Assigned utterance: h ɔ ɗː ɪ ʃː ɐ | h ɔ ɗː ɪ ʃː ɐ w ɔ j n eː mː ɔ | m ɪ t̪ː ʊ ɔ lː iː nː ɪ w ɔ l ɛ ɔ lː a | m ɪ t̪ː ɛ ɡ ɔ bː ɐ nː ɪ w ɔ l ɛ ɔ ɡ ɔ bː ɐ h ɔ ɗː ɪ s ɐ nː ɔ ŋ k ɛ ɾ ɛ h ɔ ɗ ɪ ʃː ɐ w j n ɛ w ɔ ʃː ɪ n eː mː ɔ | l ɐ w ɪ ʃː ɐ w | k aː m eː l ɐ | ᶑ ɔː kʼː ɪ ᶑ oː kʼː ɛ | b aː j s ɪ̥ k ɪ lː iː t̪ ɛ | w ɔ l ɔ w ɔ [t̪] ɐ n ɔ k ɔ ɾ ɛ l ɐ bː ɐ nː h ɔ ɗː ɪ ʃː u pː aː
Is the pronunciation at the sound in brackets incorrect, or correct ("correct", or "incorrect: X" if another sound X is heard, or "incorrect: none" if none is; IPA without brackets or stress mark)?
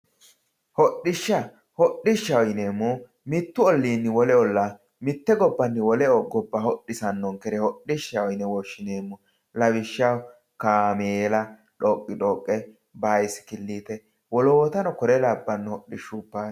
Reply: correct